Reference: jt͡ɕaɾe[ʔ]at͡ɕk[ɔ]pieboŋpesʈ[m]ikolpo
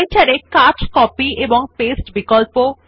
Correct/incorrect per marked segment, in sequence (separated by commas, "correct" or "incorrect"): incorrect, correct, incorrect